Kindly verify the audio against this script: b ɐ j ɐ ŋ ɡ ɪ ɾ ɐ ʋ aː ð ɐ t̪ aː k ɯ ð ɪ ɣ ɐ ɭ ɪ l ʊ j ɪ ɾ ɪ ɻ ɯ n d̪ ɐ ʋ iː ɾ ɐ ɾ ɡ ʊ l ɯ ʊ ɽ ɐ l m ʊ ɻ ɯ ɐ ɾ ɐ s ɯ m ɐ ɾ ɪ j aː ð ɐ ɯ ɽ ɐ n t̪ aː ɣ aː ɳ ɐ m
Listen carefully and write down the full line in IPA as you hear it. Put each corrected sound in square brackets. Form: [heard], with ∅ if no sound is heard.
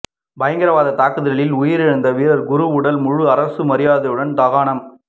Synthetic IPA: b ɐ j ɐ ŋ ɡ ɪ ɾ ɐ ʋ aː ð ɐ t̪ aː k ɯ ð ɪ ɣ ɐ ɭ ɪ l ʊ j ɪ ɾ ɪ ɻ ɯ n d̪ ɐ ʋ iː ɾ ɐ ɾ ɡ ʊ [ɾ] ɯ ʊ ɽ ɐ l m ʊ ɻ ɯ ɐ ɾ ɐ s ɯ m ɐ ɾ ɪ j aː ð ɐ ɯ ɽ ɐ n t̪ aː ɣ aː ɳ ɐ m

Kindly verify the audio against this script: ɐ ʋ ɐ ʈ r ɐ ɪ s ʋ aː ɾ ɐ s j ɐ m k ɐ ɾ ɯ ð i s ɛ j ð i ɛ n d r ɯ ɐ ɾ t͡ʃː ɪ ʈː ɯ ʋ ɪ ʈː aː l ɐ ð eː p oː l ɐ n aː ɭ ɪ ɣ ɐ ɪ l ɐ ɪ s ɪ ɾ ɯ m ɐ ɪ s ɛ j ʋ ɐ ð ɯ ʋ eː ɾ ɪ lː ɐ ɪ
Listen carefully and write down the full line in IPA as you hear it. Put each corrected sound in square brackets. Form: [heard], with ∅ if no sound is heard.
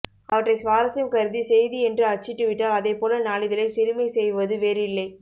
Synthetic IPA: ɐ ʋ ɐ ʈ r ɐ ɪ s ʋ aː ɾ ɐ s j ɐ m k ɐ ɾ ɯ ð i s ɛ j ð i ɛ n d r ɯ ɐ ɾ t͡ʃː ɪ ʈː ɯ ʋ ɪ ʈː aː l ɐ ð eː p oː l ɐ n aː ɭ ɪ [ð] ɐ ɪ l ɐ ɪ s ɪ ɾ ɯ m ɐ ɪ s ɛ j ʋ ɐ ð ɯ ʋ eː ɾ ɪ lː ɐ ɪ

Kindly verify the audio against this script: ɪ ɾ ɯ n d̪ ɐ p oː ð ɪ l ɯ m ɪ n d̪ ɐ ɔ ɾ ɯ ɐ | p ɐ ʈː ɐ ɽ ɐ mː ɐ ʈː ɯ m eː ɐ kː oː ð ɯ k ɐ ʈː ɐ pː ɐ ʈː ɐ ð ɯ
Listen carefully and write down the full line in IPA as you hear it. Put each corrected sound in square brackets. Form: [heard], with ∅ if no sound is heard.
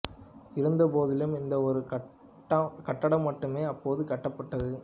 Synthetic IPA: ɪ ɾ ɯ n d̪ ɐ p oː ð ɪ l ɯ m ɪ n d̪ ɐ ɔ ɾ ɯ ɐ | [k] ɐ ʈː ɐ ɽ ɐ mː ɐ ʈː ɯ m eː ɐ [pː] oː ð ɯ k ɐ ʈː ɐ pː ɐ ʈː ɐ ð ɯ

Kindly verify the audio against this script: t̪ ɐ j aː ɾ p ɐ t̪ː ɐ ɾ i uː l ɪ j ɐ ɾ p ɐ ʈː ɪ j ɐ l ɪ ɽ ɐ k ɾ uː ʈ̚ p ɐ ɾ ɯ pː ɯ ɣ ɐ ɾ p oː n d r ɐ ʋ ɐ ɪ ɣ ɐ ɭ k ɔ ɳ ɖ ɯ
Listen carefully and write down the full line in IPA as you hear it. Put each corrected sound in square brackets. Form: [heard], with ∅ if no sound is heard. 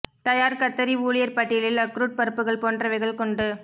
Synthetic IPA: t̪ ɐ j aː ɾ [k] ɐ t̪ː ɐ ɾ i uː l ɪ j ɐ ɾ p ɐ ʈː ɪ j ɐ l ɪ [l] ɐ k ɾ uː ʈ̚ p ɐ ɾ ɯ pː ɯ ɣ ɐ [ɭ] p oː n d r ɐ ʋ ɐ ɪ ɣ ɐ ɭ k ɔ ɳ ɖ ɯ

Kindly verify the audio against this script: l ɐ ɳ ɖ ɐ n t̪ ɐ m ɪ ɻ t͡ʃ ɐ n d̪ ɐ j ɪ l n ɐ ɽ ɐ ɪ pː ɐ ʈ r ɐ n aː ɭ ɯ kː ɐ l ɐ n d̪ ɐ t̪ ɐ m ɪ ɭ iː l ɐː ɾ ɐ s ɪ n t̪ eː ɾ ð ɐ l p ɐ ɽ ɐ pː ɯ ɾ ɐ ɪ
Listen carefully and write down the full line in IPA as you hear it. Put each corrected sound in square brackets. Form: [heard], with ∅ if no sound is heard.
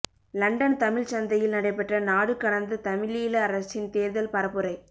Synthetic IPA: l ɐ ɳ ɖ ɐ n t̪ ɐ m ɪ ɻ t͡ʃ ɐ n d̪ ɐ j ɪ l n ɐ ɽ ɐ ɪ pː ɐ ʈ r ɐ n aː [ɽ] ɯ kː ɐ [ɽ] ɐ n d̪ ɐ t̪ ɐ m ɪ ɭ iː l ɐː ɾ ɐ s ɪ n t̪ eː ɾ ð ɐ l p ɐ [ɾ] ɐ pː ɯ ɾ ɐ ɪ

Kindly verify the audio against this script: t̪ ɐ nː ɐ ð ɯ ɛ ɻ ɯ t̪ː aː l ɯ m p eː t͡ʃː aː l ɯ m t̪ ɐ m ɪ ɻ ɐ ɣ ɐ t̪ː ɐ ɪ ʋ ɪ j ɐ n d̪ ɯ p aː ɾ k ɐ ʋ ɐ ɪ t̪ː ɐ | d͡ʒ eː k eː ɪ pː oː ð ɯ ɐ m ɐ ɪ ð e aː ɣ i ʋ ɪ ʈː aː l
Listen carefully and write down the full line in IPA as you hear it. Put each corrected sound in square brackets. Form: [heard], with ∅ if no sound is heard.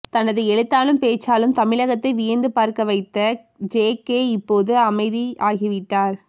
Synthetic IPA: t̪ ɐ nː ɐ ð ɯ ɛ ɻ ɯ t̪ː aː l ɯ m p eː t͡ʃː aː l ɯ m t̪ ɐ m ɪ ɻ ɐ ɣ ɐ t̪ː ɐ ɪ ʋ ɪ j ɐ n d̪ ɯ p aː ɾ k ɐ ʋ ɐ ɪ t̪ː ɐ | d͡ʒ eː k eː ɪ pː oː ð ɯ ɐ m ɐ ɪ ð [i] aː ɣ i ʋ ɪ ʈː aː [ɾ]

